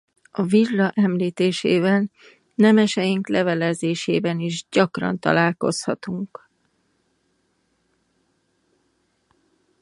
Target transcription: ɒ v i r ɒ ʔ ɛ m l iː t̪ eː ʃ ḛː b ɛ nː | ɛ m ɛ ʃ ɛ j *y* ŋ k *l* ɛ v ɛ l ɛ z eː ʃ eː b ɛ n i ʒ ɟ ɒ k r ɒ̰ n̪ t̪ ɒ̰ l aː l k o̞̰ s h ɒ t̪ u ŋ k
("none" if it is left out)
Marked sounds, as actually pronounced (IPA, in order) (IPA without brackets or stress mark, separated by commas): i, l